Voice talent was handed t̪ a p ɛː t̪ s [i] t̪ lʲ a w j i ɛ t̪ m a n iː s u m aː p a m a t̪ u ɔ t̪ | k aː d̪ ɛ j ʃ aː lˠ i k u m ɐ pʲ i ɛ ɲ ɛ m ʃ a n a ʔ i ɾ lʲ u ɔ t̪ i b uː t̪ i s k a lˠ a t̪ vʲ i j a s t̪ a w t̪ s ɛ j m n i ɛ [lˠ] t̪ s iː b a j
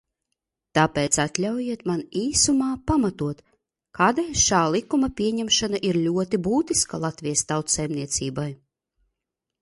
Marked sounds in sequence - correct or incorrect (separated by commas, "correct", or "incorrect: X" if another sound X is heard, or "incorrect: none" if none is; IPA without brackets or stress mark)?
incorrect: a, incorrect: none